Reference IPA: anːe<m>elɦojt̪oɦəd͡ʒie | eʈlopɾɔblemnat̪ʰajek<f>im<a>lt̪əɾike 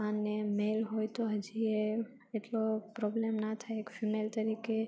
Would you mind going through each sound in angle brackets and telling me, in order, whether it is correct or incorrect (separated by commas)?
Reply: correct, correct, incorrect